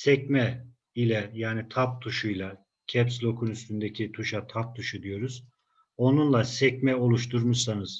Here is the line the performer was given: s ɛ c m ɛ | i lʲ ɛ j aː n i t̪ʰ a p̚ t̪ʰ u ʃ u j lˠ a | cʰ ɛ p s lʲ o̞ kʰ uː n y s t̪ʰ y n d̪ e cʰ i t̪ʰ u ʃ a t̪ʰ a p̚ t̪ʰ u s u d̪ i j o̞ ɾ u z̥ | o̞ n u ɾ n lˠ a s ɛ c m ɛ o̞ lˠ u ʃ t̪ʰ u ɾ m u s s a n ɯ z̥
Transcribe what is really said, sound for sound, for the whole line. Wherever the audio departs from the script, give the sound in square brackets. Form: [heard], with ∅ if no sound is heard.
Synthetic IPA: s ɛ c m ɛ | i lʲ ɛ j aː n i t̪ʰ a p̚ t̪ʰ u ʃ u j lˠ a | cʰ ɛ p s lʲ o̞ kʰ [u] n y s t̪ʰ y n d̪ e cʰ i t̪ʰ u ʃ a t̪ʰ a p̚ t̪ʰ u [ʃ] u d̪ i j o̞ ɾ u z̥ | o̞ n u [∅] n lˠ a s ɛ c m ɛ o̞ lˠ u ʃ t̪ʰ u ɾ m u [ʃ] s a n ɯ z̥